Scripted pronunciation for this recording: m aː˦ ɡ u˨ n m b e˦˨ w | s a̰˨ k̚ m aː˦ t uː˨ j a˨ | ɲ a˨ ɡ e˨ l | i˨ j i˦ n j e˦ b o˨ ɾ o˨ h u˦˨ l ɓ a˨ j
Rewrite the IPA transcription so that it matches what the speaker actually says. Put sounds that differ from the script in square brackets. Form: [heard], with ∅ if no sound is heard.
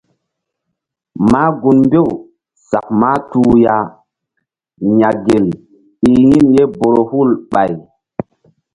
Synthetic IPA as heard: m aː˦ ɡ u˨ n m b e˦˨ w | s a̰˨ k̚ m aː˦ t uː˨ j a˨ | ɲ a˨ ɡ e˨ l | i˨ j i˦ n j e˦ b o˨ ɾ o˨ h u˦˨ l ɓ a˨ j